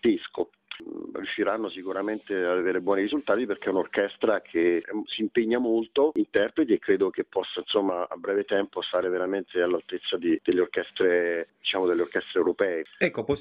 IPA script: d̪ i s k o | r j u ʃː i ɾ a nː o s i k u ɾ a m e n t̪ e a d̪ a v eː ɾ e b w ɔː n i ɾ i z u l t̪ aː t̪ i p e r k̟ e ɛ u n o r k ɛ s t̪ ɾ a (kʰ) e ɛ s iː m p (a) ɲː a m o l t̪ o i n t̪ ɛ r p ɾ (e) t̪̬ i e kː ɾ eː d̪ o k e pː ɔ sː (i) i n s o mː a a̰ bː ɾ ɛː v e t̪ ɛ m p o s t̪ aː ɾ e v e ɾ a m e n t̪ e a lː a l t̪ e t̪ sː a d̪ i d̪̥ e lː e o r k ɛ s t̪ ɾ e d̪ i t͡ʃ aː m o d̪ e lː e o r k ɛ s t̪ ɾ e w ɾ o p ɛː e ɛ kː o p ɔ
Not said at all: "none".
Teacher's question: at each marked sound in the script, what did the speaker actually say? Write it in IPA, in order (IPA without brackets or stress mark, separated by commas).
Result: kʰ, e, e, a